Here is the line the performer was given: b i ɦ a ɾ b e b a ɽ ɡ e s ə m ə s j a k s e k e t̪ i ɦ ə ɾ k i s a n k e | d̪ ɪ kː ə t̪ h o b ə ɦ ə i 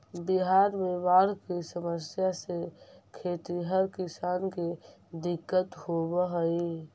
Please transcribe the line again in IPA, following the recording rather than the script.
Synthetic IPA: b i ɦ a ɾ m e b a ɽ k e s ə m ə s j a s e kʰ e t̪ i ɦ ə ɾ k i s a n k e | d̪ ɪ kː ə t̪ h o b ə ɦ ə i